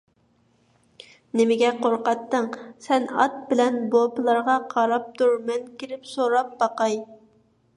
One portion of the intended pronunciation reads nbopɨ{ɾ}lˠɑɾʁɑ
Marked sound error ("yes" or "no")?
yes